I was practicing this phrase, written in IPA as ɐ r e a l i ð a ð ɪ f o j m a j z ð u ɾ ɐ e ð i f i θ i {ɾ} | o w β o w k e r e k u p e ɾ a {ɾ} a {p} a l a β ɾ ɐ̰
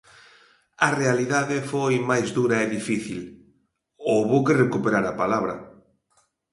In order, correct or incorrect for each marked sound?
incorrect, correct, correct

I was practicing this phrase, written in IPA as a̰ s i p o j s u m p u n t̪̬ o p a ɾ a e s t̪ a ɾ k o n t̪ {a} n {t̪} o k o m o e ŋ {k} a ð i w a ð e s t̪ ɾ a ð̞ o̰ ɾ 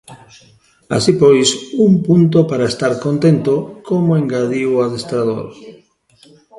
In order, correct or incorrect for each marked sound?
incorrect, correct, incorrect

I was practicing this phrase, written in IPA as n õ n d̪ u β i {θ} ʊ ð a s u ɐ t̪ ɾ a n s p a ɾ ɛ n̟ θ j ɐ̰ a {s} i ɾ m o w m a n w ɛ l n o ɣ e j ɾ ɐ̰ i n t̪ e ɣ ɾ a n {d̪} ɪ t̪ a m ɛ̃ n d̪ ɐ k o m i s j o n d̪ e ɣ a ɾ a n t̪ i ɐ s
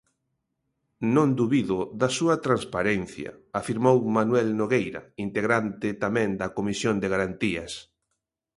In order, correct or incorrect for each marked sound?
incorrect, incorrect, incorrect

